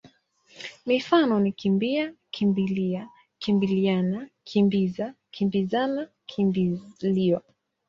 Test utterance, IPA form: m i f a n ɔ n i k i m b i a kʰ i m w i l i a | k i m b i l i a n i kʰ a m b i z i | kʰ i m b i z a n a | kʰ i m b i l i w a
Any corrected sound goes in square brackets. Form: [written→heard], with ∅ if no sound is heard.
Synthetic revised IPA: m i f a n ɔ n i k i m b i a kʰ i m [w→b] i l i a | k i m b i l i a n [i→a] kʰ [a→i] m b i z [i→a] | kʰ i m b i z a n a | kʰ i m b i l i w a